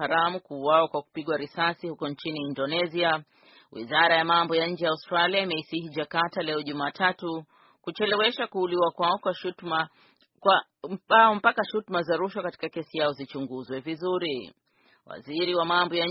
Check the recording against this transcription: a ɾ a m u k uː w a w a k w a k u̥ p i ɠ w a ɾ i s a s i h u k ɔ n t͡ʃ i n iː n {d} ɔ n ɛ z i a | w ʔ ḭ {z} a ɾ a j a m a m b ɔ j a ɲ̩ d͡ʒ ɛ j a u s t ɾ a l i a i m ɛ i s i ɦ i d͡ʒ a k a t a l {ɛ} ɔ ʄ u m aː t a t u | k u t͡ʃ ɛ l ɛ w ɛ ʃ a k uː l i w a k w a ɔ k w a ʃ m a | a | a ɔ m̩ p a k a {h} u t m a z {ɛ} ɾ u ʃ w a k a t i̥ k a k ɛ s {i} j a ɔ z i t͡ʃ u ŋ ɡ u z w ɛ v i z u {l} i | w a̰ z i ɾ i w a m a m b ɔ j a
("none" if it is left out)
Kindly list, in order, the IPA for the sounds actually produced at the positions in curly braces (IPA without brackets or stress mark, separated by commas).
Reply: d, z, ɛ, ʃ, a, i, ɾ